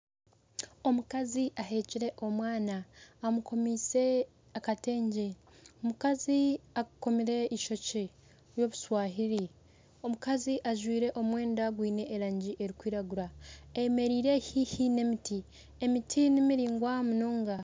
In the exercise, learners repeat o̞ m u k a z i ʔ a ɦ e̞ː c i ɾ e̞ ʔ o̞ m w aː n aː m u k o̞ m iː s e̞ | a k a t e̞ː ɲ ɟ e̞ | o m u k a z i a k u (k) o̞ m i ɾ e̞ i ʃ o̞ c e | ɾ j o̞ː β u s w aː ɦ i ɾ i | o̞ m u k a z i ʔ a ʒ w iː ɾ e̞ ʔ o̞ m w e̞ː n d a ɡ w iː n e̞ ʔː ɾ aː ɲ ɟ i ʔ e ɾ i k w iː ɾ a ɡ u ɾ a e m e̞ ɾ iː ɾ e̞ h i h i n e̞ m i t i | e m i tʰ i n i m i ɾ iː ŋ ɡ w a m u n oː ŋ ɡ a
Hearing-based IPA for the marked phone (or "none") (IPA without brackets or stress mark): k